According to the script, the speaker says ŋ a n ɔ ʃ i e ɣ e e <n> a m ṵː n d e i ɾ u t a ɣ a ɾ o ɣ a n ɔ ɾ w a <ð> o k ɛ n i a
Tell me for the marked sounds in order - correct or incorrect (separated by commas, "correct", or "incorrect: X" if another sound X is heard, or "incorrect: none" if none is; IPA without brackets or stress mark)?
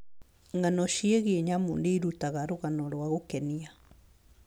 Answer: incorrect: ɲ, incorrect: ɣ